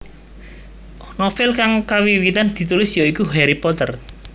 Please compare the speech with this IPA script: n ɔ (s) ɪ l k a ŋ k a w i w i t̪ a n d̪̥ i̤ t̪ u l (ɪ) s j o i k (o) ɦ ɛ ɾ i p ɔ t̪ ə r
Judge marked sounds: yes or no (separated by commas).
no, yes, no